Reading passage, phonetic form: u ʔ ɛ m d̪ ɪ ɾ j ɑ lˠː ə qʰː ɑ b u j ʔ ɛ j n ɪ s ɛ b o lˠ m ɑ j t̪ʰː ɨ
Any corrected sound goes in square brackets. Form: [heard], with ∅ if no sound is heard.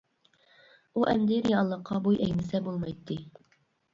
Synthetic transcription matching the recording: u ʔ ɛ m d̪ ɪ ɾ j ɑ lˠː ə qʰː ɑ b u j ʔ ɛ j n ɪ s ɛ b o lˠ m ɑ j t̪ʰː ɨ